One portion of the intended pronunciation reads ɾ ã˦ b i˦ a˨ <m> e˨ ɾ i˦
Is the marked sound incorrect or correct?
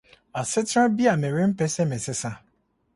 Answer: correct